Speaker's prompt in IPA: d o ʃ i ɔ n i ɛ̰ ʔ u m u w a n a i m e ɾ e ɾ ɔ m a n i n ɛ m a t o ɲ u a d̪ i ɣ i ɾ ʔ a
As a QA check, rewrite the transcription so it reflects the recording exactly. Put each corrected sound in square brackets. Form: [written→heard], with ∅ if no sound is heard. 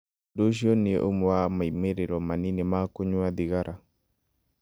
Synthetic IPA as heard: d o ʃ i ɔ n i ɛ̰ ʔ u m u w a [n→m] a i m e ɾ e ɾ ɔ m a n i n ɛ m a [t→k] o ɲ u a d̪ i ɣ [i→a] ɾ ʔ a